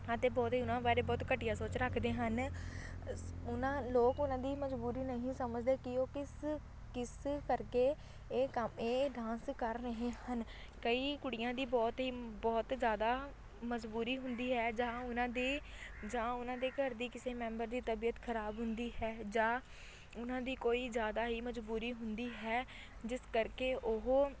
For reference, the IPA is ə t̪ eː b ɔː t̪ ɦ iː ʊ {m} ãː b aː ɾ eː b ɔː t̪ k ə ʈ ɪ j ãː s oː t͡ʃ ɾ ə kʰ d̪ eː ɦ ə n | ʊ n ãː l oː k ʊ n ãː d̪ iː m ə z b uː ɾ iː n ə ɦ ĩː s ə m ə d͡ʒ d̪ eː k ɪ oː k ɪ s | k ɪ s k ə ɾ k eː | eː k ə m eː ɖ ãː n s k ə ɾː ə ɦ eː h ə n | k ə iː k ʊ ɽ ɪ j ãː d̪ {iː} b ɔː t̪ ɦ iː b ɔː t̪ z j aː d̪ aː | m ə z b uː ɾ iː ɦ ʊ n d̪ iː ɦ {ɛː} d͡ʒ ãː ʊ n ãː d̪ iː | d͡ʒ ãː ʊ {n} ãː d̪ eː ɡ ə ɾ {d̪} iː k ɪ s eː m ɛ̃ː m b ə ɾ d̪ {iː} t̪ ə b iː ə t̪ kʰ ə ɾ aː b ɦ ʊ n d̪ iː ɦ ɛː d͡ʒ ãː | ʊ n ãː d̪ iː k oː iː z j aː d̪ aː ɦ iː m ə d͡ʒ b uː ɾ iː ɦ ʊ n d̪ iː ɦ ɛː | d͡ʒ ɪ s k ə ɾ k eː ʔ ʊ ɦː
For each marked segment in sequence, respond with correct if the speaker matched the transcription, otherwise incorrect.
incorrect: n, correct, correct, correct, correct, correct

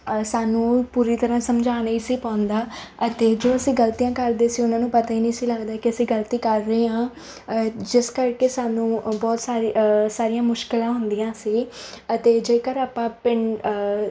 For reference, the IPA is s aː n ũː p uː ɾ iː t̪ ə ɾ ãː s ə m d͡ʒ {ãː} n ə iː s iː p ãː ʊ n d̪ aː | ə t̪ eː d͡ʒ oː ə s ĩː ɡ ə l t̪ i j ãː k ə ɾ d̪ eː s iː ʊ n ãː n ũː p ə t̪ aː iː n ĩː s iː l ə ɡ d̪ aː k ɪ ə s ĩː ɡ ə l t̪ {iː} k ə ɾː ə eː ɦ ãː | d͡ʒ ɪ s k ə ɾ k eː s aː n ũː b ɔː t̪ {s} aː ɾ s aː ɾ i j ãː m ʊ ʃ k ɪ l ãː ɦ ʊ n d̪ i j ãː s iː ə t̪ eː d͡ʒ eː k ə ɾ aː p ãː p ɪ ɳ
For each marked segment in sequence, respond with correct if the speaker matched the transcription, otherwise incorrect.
incorrect: aː, correct, correct

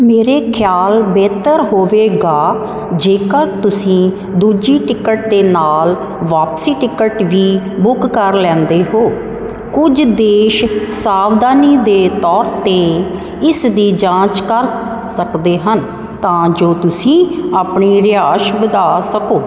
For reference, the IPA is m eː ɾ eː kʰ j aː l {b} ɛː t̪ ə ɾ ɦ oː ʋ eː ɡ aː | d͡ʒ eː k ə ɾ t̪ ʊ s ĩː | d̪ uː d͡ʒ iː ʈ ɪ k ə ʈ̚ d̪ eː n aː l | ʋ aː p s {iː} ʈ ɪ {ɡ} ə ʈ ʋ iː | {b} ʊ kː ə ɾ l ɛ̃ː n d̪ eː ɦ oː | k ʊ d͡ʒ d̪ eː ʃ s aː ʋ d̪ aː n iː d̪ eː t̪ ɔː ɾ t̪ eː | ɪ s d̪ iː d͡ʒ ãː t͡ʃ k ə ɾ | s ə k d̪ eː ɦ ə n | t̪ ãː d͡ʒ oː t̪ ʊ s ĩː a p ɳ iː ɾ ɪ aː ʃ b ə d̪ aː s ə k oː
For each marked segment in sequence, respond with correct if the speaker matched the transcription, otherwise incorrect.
correct, correct, incorrect: k, correct

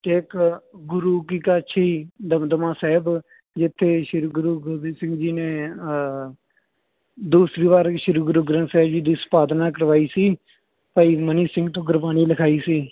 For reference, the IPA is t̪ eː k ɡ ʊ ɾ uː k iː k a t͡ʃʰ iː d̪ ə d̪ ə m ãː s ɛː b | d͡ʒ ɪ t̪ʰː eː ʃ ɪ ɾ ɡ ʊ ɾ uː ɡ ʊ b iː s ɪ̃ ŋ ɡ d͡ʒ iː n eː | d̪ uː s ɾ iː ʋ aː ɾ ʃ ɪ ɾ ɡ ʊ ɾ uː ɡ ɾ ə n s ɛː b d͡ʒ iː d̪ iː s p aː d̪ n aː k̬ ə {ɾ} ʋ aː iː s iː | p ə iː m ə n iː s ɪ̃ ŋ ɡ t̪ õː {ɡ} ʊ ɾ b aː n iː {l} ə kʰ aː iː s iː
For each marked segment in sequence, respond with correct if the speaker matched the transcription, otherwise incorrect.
correct, correct, correct

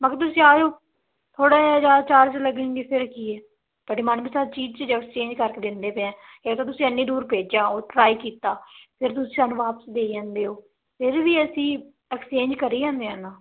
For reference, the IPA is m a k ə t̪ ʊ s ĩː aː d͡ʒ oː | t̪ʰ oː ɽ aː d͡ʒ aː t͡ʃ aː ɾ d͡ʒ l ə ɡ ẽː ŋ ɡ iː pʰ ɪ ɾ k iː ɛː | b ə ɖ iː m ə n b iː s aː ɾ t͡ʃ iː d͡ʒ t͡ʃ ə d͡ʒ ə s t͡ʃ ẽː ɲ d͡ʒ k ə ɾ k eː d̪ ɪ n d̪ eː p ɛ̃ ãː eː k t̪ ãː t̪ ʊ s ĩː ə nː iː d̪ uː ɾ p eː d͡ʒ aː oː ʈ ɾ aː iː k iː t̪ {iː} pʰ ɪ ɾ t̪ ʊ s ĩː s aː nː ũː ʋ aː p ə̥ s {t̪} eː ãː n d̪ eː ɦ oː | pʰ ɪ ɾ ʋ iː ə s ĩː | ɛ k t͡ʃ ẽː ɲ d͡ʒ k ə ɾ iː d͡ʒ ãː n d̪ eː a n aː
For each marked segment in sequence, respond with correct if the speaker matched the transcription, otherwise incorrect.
incorrect: aː, incorrect: d̪

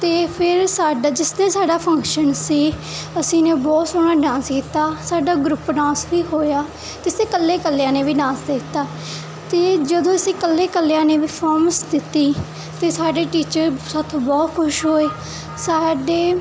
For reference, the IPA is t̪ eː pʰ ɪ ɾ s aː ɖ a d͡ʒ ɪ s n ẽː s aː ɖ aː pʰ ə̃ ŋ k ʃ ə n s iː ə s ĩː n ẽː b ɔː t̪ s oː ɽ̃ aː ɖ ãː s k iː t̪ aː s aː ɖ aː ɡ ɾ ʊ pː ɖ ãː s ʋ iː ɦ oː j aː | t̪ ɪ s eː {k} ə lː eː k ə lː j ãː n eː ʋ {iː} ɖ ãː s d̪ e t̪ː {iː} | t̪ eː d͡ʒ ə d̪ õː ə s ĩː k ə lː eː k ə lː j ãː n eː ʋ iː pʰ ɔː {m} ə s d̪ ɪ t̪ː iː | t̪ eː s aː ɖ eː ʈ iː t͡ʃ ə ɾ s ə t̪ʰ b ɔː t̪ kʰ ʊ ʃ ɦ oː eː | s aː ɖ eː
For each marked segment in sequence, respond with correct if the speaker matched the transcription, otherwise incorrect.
correct, correct, incorrect: aː, correct

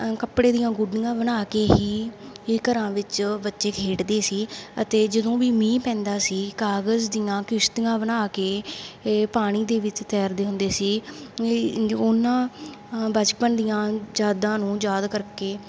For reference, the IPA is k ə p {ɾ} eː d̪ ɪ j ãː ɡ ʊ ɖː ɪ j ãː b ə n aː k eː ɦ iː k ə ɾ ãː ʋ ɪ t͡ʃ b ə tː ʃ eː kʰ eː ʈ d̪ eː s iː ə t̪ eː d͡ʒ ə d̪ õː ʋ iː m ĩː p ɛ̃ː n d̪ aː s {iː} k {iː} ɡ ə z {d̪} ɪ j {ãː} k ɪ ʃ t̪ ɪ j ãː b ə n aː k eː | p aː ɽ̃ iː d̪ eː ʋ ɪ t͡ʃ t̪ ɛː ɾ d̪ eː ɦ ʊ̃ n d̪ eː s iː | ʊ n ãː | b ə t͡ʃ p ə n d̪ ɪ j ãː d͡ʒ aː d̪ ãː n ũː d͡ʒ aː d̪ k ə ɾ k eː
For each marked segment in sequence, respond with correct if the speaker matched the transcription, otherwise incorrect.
incorrect: ɽ, correct, incorrect: aː, correct, correct

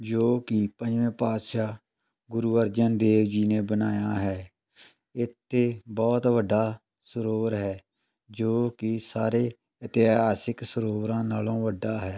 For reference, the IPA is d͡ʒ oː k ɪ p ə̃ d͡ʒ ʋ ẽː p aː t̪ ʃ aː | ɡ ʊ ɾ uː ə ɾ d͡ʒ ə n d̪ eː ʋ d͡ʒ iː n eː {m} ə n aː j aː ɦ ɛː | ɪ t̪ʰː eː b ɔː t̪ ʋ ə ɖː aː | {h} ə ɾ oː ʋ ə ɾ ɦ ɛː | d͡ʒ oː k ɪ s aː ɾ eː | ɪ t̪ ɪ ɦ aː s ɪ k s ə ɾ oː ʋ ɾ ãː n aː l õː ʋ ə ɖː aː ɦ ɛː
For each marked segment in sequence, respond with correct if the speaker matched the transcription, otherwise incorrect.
incorrect: b, incorrect: s

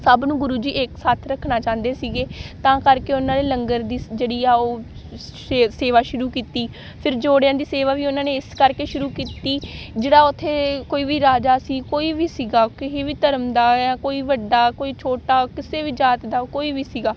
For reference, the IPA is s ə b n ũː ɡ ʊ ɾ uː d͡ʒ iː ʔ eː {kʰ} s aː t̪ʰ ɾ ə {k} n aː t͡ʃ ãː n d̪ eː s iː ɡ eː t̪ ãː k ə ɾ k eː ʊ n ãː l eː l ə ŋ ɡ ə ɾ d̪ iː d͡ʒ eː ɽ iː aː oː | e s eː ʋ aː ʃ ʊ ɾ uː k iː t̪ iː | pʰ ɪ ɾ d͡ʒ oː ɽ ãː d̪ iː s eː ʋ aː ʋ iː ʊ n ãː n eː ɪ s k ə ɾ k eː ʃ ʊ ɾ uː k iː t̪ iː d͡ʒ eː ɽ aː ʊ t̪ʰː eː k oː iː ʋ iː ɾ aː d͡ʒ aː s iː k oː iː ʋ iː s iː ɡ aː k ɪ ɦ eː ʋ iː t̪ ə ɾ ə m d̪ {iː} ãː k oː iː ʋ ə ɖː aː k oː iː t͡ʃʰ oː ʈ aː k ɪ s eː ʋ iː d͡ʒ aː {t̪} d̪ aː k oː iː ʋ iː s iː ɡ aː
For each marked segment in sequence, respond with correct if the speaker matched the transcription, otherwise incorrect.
incorrect: k, incorrect: kʰ, incorrect: aː, correct

